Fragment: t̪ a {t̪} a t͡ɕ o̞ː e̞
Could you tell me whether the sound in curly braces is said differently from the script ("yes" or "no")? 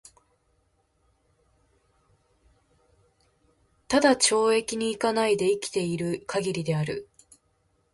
yes